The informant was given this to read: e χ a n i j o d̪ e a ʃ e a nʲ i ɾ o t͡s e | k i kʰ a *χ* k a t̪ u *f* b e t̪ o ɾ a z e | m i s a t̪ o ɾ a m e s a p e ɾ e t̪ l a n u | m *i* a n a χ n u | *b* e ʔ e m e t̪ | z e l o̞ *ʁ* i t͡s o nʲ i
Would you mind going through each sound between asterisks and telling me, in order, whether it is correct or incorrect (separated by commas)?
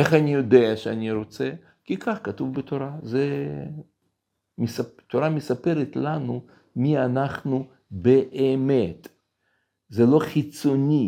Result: correct, incorrect, correct, correct, incorrect